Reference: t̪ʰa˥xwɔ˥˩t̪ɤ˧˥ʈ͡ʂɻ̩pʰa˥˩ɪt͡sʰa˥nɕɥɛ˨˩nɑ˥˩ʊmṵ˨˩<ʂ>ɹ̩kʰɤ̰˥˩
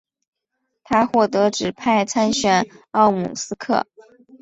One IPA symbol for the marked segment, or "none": s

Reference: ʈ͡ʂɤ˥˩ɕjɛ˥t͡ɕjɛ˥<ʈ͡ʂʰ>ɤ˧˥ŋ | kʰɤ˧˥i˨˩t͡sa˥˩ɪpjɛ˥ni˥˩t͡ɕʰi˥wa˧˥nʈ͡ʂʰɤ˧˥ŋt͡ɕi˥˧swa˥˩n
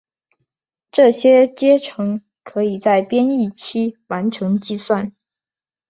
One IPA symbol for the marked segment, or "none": ʈ͡ʂʰ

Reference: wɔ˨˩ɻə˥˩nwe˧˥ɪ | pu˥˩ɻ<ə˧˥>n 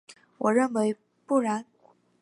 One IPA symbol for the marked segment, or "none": a˧˥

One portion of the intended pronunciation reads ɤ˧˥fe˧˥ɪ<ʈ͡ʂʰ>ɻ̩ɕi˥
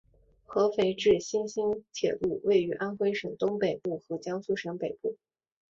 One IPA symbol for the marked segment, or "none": ʈ͡ʂ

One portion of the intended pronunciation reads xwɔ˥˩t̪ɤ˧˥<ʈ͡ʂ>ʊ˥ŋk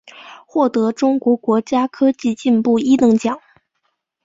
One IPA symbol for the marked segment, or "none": ʈ͡ʂ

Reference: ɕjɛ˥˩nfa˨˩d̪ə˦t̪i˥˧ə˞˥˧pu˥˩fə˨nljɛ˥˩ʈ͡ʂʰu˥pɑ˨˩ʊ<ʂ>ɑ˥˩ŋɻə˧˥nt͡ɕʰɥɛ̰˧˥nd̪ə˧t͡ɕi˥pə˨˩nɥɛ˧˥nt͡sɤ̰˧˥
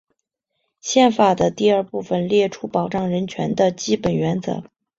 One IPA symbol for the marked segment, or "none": ʈ͡ʂ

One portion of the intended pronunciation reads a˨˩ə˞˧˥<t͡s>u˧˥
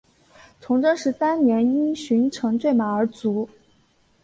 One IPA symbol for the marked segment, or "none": t͡s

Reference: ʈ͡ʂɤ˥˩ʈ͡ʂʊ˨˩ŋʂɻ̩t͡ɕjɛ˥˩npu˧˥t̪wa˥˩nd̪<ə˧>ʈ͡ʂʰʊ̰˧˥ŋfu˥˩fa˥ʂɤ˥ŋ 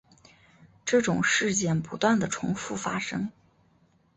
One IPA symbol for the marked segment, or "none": ə˩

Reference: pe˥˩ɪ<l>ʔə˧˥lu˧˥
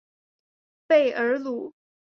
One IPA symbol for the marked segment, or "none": none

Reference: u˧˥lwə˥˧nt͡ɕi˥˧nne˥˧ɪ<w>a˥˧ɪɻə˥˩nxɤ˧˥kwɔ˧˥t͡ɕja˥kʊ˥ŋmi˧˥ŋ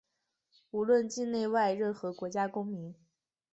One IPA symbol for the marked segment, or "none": w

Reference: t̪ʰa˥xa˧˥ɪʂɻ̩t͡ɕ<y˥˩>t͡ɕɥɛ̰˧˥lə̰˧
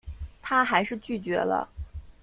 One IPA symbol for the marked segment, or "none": y˥˩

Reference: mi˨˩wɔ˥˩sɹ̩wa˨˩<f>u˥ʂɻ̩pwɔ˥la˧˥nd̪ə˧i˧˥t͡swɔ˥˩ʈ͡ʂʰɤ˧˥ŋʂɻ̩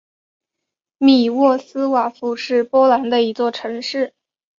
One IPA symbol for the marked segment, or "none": f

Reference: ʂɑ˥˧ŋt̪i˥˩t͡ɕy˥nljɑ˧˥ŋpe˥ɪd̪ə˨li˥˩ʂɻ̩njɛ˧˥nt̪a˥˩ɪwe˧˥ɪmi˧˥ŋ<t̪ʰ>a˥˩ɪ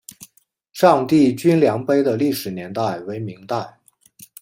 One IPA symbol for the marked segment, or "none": t̪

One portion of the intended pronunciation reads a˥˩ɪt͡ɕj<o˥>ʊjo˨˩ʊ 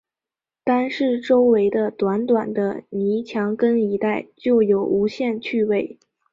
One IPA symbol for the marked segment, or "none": o˥˩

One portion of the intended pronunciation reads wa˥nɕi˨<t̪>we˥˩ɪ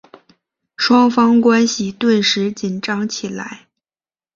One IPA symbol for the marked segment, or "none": t̪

